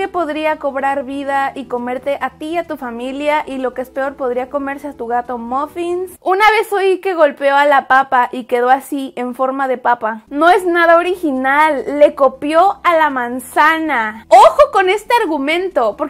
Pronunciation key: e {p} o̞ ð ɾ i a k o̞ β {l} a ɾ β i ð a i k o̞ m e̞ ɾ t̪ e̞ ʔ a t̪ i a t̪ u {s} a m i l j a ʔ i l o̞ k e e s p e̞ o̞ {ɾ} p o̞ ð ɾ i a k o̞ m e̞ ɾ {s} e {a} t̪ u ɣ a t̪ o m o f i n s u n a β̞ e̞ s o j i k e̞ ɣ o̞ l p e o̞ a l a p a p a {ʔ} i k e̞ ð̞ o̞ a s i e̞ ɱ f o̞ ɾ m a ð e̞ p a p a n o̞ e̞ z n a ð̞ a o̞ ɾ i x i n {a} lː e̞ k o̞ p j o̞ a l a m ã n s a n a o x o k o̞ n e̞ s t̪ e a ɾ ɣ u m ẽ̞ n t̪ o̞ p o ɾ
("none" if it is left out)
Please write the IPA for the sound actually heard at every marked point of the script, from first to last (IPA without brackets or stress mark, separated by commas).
p, ɾ, f, ɾ, s, a, ʔ, a